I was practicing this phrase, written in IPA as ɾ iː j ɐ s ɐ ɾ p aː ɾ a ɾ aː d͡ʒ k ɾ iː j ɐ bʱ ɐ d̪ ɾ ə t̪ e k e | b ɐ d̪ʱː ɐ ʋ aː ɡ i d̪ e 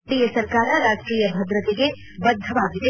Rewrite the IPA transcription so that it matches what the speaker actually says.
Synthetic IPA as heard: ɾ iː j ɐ s ɐ ɾ k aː ɾ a ɾ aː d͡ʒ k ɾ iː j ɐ bʱ ɐ d̪ ɾ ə t̪ e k e | b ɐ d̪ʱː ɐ ʋ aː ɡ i t̪ e